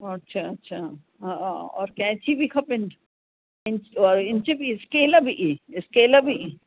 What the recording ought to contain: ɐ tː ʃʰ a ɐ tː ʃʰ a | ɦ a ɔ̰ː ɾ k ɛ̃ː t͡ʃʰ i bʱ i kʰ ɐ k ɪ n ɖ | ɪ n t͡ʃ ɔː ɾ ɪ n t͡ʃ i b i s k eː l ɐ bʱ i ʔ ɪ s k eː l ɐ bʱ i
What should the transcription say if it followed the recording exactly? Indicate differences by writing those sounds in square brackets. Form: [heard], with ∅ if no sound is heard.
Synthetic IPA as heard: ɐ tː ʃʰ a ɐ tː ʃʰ a | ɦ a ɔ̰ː ɾ k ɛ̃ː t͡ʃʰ i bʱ i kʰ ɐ [p] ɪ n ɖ | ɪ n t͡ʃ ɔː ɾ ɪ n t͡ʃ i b i s k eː l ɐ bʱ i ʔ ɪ s k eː l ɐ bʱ i